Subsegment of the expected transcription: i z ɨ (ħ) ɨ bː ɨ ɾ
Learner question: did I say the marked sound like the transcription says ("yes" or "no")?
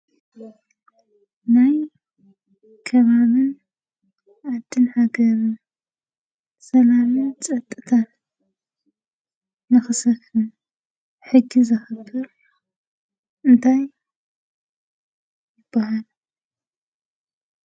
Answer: no